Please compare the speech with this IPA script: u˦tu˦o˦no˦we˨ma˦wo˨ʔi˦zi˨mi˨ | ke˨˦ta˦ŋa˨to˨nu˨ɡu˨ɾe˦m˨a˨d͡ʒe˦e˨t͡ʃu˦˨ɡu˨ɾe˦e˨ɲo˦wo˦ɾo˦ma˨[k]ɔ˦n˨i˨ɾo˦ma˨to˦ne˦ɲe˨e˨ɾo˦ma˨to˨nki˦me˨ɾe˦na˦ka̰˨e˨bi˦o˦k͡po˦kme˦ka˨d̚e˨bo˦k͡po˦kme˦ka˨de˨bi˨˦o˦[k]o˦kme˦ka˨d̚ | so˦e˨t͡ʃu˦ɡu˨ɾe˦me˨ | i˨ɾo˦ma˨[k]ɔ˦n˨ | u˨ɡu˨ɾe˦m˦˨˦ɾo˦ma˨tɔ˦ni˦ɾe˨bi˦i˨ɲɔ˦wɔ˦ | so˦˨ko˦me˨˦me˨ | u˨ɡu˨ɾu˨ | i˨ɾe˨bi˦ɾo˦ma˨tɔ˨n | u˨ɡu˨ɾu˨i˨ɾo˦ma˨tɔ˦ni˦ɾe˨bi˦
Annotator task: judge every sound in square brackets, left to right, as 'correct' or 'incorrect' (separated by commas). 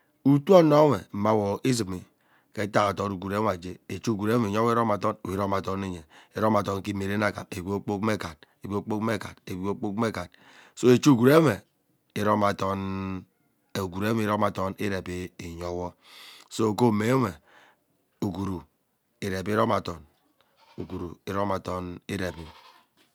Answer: incorrect, incorrect, incorrect